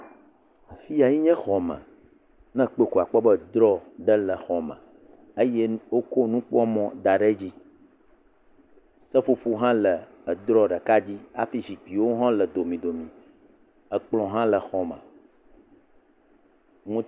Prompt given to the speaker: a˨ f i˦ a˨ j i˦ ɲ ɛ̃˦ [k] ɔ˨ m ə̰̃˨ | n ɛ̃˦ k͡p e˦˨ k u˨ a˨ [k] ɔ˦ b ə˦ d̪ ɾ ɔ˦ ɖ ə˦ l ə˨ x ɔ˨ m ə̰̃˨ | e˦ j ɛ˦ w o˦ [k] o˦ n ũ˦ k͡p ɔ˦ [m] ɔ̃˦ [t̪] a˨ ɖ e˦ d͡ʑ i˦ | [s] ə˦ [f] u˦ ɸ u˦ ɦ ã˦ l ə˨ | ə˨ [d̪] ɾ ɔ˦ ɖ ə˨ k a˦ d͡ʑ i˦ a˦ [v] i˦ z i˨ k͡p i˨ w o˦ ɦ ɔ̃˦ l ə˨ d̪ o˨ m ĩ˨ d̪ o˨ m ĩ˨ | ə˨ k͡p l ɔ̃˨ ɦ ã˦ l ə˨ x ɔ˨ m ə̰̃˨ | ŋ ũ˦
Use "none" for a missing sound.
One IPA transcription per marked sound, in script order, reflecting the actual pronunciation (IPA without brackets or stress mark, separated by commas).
x, k͡p, k, m, d̪, s, f, d̪, f